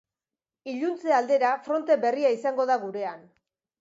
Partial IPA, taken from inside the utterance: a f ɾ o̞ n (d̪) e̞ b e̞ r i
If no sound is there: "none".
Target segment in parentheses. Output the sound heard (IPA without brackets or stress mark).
t̪